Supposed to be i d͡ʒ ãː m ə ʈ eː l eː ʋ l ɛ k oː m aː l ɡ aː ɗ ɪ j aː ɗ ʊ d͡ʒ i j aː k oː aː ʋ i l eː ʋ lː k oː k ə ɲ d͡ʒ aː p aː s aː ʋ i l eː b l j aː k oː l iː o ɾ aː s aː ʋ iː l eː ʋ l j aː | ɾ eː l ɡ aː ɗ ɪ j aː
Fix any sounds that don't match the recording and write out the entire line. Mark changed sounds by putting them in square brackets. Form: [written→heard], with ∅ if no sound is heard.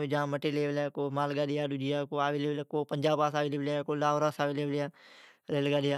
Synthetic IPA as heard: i d͡ʒ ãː m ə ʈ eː l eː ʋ l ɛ k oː m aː l ɡ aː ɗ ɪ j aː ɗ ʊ d͡ʒ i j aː k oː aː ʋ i l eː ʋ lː k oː [k→p] ə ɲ d͡ʒ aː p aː s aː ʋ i l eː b l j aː k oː l [iː→aː] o ɾ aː s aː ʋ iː l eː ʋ l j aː | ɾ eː l ɡ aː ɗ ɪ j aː